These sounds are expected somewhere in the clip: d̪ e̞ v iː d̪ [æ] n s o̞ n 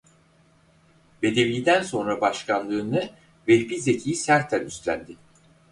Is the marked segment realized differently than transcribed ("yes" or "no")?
no